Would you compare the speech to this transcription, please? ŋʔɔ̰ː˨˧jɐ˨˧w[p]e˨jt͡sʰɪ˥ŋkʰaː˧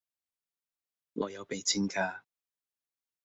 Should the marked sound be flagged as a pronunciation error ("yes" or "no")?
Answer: no